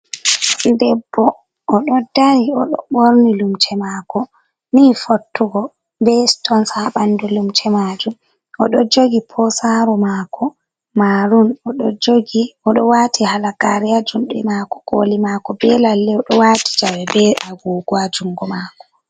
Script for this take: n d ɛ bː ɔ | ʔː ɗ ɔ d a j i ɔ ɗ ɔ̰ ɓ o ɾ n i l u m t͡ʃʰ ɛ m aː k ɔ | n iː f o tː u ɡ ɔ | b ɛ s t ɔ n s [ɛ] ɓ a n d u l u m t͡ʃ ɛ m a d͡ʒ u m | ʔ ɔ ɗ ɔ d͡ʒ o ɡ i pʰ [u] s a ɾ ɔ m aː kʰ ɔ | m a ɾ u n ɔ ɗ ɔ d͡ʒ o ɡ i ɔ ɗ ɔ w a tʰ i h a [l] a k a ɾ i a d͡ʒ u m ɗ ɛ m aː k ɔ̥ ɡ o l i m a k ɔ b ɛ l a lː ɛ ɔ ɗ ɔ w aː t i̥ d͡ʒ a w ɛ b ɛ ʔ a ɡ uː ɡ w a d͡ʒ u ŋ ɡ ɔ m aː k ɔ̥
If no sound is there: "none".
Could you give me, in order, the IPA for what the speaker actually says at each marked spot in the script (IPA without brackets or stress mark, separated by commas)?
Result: a, ɔ, l